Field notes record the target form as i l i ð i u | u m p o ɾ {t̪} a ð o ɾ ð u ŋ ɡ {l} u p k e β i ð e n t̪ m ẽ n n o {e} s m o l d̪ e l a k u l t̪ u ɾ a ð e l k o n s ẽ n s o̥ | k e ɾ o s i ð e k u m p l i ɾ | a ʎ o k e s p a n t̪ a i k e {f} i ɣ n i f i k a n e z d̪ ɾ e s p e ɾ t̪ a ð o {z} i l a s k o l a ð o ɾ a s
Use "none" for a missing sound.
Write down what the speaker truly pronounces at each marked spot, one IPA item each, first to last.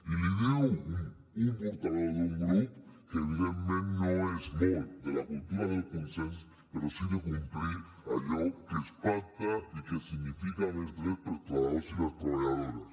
t̪, ɾ, e, s, s

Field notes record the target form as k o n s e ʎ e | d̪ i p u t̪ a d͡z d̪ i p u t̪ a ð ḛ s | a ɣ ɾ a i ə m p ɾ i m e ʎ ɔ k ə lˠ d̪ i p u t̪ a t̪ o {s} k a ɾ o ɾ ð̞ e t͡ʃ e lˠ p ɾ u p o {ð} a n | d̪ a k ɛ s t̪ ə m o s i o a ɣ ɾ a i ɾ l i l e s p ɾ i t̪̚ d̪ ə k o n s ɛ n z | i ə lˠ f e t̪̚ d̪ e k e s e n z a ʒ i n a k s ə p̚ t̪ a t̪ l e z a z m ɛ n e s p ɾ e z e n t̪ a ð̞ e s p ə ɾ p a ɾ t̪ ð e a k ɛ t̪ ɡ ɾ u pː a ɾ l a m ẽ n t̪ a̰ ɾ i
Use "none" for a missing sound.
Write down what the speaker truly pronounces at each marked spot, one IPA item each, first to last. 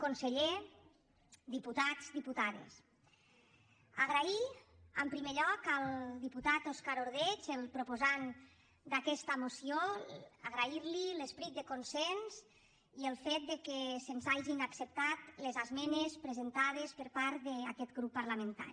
s, z

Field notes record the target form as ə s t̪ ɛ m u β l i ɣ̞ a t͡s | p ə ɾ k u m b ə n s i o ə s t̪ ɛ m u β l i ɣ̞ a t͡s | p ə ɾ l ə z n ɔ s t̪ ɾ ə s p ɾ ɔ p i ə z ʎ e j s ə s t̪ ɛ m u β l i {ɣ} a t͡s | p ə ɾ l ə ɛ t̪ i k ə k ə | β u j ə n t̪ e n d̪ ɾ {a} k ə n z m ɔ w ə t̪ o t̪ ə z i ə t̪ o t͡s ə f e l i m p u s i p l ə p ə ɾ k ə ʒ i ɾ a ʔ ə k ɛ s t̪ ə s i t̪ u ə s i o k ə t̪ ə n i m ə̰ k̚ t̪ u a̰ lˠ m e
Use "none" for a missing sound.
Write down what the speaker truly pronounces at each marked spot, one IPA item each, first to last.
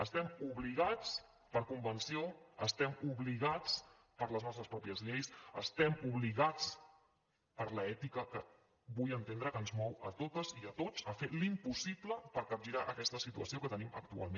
ɣ, ə

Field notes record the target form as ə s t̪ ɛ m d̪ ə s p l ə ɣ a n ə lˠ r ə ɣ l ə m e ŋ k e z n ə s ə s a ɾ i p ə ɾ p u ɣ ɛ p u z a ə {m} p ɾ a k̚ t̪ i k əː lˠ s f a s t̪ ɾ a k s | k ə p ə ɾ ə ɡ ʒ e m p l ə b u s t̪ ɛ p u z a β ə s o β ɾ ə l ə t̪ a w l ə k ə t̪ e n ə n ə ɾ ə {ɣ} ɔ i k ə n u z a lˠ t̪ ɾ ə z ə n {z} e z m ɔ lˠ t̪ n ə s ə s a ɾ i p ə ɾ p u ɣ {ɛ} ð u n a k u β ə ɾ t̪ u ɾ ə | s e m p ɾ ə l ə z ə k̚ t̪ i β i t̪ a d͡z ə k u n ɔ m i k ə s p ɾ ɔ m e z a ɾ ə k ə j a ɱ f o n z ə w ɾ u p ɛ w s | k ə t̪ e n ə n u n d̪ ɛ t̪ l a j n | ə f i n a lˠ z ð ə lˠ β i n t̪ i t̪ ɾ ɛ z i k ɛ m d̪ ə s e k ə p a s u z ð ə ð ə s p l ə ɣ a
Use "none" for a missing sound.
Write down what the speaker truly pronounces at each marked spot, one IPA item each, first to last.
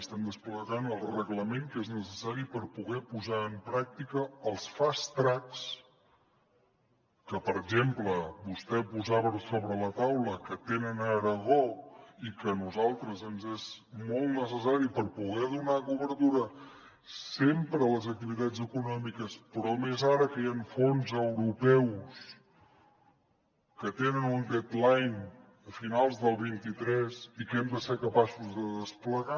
m, ɣ, z, ɛ

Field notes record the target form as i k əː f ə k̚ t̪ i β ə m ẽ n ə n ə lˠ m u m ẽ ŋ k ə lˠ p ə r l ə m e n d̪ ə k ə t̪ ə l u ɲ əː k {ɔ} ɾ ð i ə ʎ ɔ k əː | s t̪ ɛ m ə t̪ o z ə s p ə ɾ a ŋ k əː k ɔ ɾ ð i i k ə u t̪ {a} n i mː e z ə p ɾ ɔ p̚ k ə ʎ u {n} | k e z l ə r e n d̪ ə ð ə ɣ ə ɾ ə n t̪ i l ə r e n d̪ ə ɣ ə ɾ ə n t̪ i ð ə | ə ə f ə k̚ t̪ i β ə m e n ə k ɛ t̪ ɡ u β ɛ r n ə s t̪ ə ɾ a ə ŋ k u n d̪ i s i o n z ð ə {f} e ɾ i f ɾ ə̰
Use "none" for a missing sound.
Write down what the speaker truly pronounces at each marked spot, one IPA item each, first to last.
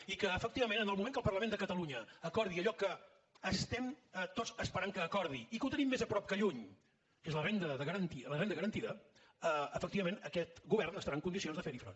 ɔ, ə, ɲ, f

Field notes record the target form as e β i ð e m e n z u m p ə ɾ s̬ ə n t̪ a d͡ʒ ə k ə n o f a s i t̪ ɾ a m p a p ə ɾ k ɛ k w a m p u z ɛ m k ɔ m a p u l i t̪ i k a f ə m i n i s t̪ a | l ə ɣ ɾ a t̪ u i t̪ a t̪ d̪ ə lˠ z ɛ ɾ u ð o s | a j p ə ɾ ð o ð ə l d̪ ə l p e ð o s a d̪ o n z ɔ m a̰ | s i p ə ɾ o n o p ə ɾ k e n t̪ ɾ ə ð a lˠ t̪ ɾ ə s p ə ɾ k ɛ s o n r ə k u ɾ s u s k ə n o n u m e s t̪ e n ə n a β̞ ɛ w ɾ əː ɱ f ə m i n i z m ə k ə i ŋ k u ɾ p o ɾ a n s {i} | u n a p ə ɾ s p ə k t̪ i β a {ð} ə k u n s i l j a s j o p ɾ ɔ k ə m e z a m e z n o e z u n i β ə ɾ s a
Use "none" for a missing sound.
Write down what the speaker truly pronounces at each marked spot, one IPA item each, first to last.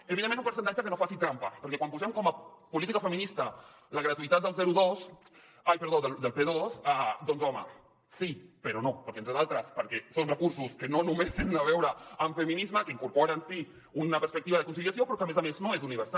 i, ð

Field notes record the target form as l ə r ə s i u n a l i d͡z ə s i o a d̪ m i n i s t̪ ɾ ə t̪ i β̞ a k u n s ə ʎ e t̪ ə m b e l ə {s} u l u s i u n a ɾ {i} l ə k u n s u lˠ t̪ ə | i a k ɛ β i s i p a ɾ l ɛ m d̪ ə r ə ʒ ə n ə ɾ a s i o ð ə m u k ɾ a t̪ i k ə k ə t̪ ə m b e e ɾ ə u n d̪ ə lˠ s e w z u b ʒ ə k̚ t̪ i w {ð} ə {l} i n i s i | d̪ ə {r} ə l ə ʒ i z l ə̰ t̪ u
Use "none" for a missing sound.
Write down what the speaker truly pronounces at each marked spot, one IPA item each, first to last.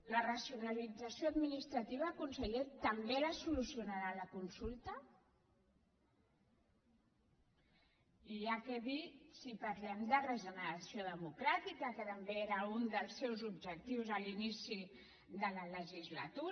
s, a, z, l, l

